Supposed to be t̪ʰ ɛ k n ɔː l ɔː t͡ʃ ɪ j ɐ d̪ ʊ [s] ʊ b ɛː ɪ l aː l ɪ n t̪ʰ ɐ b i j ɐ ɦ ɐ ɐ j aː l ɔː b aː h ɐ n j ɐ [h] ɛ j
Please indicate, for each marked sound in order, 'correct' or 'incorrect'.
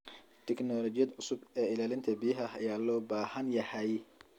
correct, correct

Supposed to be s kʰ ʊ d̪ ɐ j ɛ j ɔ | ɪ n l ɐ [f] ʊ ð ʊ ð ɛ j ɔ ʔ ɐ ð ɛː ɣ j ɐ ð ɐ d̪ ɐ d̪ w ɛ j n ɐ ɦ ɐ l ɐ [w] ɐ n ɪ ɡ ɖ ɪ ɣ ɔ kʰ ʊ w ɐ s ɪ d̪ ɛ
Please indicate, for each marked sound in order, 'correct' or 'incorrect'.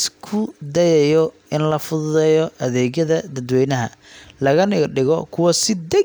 correct, incorrect: ɣ

